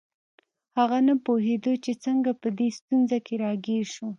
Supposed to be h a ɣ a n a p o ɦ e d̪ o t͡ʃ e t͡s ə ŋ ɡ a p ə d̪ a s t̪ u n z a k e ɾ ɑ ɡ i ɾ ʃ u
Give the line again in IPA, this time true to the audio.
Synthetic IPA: h a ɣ a n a p o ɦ e d̪ o t͡ʃ e t͡s ə ŋ ɡ a p ə d̪ e s t̪ u n z a k e ɾ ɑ ɡ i ɾ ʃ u